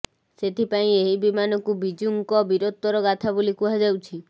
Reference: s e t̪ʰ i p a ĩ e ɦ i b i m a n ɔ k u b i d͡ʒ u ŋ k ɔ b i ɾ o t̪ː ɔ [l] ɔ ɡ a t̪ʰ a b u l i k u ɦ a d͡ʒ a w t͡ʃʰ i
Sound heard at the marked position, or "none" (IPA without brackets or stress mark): ɾ